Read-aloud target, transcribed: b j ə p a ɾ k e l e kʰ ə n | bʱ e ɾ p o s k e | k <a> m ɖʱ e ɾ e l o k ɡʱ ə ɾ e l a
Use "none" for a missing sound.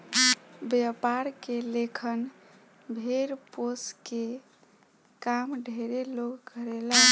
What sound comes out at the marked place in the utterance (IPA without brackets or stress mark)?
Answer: a